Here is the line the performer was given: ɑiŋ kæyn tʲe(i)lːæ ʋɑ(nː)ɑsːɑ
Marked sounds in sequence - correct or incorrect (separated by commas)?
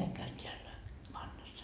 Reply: incorrect, correct